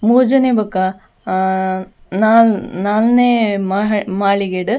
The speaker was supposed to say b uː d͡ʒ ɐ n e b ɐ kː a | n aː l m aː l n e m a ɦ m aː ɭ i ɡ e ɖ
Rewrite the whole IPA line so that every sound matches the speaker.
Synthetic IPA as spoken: m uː d͡ʒ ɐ n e b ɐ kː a | n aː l n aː l n e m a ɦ m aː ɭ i ɡ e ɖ